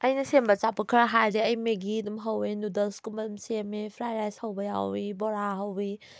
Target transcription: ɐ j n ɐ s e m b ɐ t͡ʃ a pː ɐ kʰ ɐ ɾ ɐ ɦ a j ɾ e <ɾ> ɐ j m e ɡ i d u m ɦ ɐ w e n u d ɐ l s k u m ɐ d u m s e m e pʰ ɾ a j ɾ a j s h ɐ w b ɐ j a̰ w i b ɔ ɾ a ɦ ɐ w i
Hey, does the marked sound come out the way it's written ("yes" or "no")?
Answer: no